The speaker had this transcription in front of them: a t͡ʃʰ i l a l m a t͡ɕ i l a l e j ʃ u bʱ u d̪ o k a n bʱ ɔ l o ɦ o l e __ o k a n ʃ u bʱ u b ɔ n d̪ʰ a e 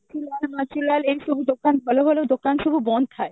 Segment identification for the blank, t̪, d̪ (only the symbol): d̪